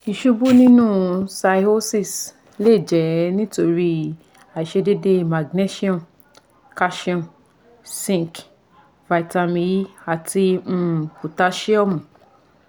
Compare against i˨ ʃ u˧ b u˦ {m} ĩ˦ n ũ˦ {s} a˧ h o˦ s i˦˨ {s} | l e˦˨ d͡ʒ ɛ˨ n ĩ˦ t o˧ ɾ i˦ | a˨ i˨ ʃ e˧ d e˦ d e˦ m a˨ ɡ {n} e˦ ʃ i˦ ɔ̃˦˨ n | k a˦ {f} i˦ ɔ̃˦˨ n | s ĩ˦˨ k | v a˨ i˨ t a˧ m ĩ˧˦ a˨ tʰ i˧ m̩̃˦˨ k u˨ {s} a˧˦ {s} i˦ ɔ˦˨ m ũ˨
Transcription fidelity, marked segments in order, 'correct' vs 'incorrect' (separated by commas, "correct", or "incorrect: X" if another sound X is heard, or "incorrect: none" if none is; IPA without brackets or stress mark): incorrect: n, correct, correct, correct, incorrect: ʃ, incorrect: t, incorrect: ʃ